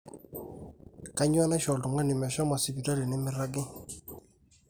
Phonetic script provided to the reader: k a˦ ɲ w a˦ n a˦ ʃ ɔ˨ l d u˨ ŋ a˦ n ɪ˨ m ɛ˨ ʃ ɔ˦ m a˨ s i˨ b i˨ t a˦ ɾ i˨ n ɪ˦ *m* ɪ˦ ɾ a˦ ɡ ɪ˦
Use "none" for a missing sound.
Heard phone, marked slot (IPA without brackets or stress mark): m